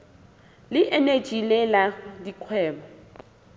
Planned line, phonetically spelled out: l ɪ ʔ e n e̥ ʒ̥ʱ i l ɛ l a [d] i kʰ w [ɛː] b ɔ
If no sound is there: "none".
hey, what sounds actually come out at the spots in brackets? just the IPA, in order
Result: d, ɛː

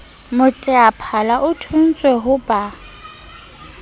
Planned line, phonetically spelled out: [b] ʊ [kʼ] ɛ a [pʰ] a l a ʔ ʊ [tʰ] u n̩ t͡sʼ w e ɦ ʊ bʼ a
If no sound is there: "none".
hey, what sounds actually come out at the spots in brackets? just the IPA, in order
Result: m, tʼ, pʰ, tʰ

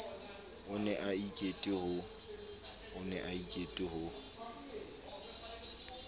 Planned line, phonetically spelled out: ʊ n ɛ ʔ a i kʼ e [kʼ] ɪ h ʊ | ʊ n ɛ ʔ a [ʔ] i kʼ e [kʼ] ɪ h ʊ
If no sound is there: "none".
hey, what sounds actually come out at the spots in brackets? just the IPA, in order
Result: tʼ, none, tʼ

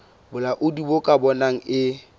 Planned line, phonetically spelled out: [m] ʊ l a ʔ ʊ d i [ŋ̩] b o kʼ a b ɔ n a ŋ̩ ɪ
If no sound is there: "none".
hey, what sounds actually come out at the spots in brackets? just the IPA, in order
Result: b, none

